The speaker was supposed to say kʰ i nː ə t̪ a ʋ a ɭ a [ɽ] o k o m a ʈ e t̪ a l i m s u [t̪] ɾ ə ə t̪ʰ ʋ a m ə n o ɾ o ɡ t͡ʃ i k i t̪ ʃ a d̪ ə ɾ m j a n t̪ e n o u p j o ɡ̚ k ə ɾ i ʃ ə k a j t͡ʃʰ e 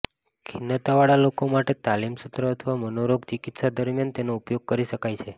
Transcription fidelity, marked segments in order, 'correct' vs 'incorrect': incorrect, correct

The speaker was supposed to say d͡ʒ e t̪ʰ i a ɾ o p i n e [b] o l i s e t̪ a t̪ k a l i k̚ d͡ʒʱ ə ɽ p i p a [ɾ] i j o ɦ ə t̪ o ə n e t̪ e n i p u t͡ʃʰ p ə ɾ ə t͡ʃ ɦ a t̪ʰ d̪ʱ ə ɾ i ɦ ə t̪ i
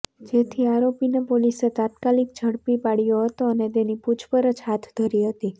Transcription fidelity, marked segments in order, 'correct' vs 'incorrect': incorrect, incorrect

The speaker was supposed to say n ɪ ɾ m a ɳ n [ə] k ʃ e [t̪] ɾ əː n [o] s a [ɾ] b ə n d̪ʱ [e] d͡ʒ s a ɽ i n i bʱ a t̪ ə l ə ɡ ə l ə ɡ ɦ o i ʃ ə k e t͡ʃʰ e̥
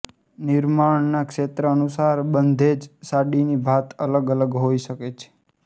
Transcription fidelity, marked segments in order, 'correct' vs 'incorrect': incorrect, correct, incorrect, correct, correct

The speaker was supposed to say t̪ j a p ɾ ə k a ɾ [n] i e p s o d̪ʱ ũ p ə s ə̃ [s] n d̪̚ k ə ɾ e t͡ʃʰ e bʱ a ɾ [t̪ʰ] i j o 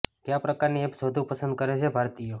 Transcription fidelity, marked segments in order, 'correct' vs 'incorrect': correct, incorrect, incorrect

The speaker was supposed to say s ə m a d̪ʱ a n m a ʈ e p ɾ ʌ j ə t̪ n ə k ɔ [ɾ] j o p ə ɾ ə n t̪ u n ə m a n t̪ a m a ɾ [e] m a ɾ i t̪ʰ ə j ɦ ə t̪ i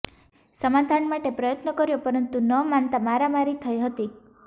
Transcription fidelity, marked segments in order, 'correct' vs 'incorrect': correct, incorrect

